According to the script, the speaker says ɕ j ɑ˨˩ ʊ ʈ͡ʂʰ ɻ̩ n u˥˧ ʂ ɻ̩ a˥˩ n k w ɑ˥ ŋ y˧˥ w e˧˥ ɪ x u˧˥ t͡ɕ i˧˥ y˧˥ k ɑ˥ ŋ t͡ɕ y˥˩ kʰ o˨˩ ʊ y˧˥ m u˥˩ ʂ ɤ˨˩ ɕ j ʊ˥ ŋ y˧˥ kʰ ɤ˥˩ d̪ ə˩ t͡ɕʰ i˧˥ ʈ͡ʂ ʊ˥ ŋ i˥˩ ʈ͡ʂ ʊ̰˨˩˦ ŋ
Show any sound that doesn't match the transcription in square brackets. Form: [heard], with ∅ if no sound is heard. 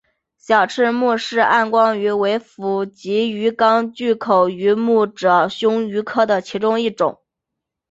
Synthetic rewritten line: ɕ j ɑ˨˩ ʊ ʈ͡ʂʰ ɻ̩ [m] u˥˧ ʂ ɻ̩ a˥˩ n k w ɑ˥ ŋ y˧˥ w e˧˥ ɪ [f] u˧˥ t͡ɕ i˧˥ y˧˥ k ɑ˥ ŋ t͡ɕ y˥˩ kʰ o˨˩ ʊ y˧˥ m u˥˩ [ʈ͡ʂ] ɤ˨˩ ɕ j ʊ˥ ŋ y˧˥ kʰ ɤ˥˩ d̪ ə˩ t͡ɕʰ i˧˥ ʈ͡ʂ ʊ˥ ŋ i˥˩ ʈ͡ʂ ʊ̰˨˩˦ ŋ